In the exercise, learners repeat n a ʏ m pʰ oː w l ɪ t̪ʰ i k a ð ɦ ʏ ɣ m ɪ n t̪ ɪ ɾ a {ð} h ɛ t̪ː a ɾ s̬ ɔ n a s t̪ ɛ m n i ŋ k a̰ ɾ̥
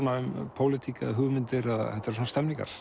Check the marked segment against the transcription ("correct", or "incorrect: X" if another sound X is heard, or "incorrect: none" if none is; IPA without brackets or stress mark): correct